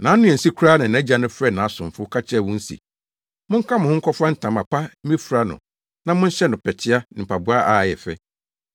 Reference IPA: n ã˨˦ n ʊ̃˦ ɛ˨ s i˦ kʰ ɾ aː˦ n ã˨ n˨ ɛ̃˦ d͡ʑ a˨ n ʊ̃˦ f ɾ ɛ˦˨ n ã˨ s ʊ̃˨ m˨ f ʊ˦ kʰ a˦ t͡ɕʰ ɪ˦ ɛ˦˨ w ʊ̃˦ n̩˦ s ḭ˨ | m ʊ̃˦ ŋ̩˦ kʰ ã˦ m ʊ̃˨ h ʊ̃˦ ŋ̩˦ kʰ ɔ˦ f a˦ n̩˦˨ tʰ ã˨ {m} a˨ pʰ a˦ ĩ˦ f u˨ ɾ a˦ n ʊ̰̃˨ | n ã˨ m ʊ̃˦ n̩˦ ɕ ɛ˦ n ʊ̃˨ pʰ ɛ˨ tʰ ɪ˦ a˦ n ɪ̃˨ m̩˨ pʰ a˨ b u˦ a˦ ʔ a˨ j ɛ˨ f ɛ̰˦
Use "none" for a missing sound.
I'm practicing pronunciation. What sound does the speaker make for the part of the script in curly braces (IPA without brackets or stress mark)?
m